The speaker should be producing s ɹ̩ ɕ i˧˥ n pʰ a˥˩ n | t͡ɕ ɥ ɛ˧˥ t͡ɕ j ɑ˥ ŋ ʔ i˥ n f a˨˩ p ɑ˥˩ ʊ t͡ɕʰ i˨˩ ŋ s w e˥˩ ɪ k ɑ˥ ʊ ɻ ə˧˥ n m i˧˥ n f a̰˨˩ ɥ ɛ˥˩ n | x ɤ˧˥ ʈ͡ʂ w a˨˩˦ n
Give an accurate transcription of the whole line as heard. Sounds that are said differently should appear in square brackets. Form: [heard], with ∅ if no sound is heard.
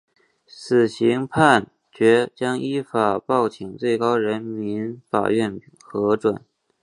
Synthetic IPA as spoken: s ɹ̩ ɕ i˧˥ [ŋ] pʰ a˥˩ n | t͡ɕ ɥ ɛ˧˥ t͡ɕ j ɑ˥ ŋ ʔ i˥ [∅] f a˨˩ p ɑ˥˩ ʊ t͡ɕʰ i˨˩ ŋ [t͡s] w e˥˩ ɪ k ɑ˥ ʊ ɻ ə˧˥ n m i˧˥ n f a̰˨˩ ɥ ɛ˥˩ n | x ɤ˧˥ ʈ͡ʂ w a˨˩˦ n